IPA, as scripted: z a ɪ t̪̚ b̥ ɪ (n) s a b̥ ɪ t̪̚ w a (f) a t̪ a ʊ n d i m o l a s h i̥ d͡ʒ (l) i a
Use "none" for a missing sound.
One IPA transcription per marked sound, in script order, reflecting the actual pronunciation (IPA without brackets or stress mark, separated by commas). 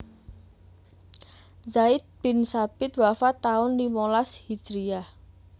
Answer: n, f, ɾ